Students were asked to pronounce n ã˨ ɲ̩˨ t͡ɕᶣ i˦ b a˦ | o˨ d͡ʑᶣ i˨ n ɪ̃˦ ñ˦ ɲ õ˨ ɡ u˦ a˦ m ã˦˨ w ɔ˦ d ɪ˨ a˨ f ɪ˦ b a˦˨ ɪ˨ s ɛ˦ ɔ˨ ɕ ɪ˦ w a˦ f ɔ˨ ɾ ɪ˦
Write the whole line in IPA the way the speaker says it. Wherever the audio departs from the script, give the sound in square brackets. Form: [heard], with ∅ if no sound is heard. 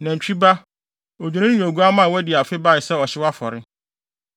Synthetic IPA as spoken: n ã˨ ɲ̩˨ t͡ɕᶣ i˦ b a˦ | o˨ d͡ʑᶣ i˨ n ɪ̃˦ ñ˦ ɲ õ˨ ɡ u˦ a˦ m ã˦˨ w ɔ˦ d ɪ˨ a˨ f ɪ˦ b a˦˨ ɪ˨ s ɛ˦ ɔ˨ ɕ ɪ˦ w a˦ f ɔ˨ ɾ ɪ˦